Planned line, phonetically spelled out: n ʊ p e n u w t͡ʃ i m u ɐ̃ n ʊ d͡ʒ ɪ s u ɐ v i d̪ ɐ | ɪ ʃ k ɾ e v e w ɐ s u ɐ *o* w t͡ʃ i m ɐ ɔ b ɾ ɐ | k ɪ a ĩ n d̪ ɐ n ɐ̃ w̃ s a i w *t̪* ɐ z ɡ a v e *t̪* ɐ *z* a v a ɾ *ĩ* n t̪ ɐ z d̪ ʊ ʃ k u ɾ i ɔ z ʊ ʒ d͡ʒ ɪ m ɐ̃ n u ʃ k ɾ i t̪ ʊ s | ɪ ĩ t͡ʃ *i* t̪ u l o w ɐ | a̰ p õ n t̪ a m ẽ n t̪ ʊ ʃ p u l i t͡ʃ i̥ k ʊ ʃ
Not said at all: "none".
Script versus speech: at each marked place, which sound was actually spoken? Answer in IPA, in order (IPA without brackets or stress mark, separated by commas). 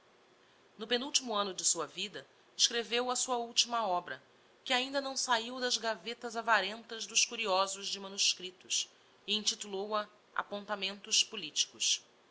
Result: u, d̪, t̪, z, ẽ, i